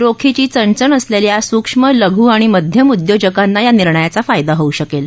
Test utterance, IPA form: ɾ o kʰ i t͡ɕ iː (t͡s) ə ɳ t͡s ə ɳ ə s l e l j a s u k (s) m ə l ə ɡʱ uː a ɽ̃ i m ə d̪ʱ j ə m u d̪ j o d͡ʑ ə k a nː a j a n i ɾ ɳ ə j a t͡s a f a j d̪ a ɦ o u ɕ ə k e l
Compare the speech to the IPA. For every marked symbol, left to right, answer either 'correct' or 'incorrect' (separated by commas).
correct, incorrect